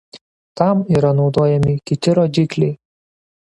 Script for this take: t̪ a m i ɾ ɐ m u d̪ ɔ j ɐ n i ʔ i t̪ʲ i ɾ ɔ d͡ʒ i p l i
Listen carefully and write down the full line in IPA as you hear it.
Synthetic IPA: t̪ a m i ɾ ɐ n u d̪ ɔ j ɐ m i k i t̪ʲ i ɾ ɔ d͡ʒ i k l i